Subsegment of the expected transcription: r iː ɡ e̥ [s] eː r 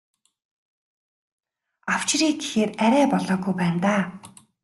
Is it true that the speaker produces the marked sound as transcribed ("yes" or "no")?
no